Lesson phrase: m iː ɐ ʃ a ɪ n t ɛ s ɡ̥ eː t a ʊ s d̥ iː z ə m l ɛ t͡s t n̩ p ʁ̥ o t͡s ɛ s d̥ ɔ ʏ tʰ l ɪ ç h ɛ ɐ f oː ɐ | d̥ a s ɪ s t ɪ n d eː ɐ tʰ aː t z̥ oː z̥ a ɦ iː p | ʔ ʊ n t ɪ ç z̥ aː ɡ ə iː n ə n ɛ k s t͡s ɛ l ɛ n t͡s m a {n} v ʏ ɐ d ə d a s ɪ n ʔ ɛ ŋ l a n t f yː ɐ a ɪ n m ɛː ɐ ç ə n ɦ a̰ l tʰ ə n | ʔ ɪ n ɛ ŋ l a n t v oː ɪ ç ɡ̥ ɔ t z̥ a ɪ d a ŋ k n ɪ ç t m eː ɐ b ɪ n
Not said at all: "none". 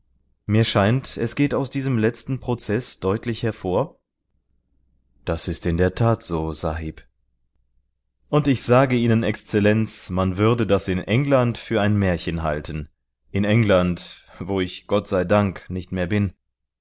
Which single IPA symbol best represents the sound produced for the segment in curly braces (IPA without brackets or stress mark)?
n